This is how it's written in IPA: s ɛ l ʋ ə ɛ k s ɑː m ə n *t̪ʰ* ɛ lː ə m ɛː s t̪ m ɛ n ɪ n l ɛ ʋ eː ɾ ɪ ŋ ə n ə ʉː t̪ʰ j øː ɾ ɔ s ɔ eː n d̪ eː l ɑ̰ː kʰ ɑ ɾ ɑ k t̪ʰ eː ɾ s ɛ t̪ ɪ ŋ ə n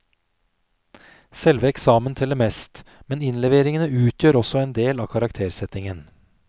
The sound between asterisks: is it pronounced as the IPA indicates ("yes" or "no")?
yes